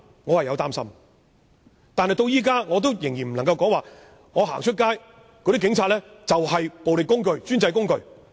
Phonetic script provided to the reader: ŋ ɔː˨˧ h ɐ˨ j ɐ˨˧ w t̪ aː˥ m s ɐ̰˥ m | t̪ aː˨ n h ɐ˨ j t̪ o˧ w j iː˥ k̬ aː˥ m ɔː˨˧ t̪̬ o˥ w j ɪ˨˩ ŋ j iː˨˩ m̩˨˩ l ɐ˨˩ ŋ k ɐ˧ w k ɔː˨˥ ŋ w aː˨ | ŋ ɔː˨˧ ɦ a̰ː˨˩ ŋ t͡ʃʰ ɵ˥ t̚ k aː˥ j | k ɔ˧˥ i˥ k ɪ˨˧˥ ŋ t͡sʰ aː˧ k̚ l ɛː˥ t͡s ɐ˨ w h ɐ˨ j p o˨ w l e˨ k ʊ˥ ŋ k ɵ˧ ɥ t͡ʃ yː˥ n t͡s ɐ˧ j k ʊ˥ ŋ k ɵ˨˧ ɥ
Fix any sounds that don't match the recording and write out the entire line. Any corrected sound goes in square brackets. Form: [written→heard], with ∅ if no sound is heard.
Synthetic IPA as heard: ŋ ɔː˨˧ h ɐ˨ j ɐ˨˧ w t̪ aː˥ m s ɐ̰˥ m | t̪ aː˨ n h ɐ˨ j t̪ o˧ w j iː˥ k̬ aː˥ [m→ŋ] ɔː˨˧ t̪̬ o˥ w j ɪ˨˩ ŋ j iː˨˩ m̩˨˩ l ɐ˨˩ ŋ k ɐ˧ w k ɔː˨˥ ŋ w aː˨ | ŋ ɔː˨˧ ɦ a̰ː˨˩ ŋ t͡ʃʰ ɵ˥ t̚ k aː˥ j | k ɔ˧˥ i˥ k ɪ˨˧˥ ŋ t͡sʰ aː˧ [k̚→t̚] l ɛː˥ t͡s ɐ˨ w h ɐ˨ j p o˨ w l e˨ k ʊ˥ ŋ k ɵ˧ ɥ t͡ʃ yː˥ n t͡s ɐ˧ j k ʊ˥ ŋ k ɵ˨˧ ɥ